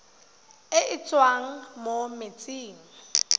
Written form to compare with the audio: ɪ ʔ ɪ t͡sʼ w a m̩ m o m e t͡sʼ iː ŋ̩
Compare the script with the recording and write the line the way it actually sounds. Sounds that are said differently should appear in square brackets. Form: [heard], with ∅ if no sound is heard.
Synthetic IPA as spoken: ɪ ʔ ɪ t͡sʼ w a [ŋ̩] m o m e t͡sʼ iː ŋ̩